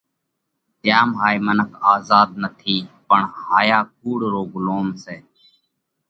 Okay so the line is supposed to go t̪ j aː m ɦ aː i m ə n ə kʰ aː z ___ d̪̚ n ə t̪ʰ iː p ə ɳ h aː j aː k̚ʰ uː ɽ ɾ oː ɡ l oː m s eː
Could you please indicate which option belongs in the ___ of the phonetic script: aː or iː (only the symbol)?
aː